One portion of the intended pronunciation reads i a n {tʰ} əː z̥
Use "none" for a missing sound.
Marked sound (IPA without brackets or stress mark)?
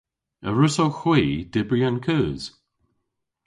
kʰ